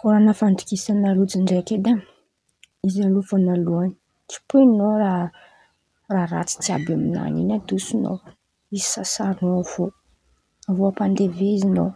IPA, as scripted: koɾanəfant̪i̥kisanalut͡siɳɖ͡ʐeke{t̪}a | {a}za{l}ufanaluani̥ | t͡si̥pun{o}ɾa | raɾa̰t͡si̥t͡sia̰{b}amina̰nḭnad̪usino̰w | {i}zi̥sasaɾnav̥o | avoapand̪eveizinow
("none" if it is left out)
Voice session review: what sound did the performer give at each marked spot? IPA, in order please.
d̪, i, l, o, b, i

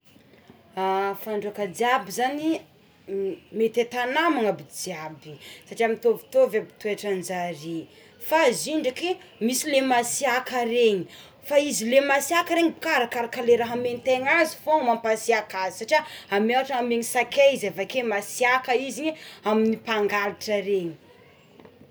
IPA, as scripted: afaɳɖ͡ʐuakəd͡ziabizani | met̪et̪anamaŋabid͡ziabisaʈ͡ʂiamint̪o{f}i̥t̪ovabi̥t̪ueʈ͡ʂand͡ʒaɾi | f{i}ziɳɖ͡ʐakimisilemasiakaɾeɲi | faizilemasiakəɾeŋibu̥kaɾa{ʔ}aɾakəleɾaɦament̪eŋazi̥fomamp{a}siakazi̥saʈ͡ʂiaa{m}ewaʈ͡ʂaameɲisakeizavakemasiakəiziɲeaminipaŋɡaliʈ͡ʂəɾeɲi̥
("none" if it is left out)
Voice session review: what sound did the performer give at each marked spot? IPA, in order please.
v, a, k, a, m

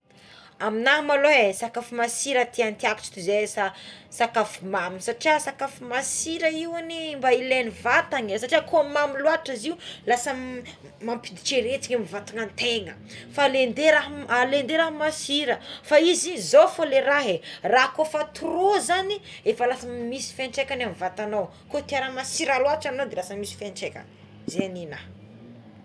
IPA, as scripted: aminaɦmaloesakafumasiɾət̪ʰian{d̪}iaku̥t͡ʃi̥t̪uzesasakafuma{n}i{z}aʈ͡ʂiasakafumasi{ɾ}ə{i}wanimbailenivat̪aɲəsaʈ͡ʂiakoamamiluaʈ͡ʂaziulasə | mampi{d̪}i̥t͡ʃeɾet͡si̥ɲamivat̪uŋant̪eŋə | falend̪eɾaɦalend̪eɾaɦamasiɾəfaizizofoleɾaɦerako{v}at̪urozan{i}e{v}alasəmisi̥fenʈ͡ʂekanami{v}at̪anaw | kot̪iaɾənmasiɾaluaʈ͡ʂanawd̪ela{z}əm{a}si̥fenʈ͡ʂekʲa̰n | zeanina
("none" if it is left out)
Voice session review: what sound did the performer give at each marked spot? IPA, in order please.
t̪, m, s, ɾ, i, d̪, f, i, f, v, s, i

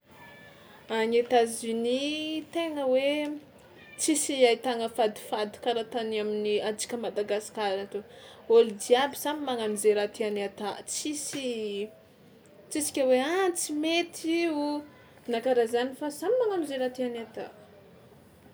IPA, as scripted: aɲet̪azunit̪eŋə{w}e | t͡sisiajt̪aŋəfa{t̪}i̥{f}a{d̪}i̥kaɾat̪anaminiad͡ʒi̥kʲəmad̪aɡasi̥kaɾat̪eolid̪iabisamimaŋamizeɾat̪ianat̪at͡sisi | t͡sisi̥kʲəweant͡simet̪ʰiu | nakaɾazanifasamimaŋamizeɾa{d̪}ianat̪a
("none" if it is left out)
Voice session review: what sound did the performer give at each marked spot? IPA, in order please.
w, d̪, f, d̪, t̪

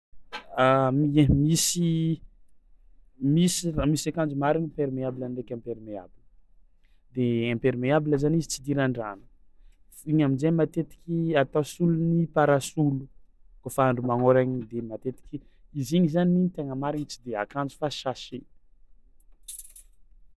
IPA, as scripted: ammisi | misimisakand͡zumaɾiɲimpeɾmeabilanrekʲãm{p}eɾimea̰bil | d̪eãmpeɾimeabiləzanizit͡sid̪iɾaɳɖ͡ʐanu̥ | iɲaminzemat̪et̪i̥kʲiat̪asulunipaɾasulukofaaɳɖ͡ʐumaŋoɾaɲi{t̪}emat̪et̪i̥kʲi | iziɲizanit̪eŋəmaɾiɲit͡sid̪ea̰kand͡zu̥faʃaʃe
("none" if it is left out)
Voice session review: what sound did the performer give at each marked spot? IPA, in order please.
p, d̪

